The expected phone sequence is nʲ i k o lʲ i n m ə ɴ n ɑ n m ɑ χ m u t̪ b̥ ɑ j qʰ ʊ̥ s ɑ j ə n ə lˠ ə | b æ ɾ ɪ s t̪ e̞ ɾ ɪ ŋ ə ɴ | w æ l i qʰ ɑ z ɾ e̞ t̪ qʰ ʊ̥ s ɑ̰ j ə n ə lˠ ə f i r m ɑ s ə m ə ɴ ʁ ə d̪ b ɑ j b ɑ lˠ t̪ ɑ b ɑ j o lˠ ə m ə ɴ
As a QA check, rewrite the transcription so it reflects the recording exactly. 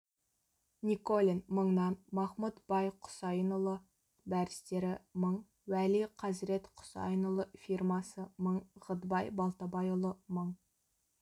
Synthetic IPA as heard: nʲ i k o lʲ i n m ə ɴ n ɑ n m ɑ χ m u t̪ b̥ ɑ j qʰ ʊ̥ s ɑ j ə n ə lˠ ə | b æ ɾ ɪ s t̪ e̞ ɾ ɪ m ə ɴ | w æ l i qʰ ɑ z ɾ e̞ t̪ qʰ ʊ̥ s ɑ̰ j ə n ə lˠ ə f i r m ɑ s ə m ə ɴ ʁ ə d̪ b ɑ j b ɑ lˠ t̪ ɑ b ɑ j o lˠ ə m ə ɴ

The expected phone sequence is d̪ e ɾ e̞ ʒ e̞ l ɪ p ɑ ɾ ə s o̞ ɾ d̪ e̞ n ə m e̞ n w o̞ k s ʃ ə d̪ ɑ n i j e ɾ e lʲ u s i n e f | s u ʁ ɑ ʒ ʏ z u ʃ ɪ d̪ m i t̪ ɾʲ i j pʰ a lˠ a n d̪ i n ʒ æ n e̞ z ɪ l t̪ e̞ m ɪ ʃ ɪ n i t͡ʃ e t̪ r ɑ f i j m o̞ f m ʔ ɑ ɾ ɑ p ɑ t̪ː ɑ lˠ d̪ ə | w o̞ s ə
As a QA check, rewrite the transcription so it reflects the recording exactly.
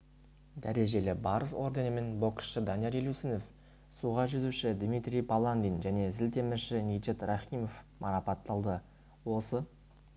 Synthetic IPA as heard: d̪ æ ɾ e̞ ʒ e̞ l ɪ b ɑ ɾ ə s o̞ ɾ d̪ e̞ n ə m e̞ n b o̞ k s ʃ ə d̪ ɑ n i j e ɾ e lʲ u s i n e f | s u ʁ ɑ ʒ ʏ z u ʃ ɪ d̪ m i t̪ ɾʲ i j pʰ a lˠ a n d̪ i n ʒ æ n e̞ z ɪ l t̪ e̞ m ɪ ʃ ɪ n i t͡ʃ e t̪ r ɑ χ i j m o̞ f m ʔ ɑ ɾ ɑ p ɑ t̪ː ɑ lˠ d̪ ə | w o̞ s ə

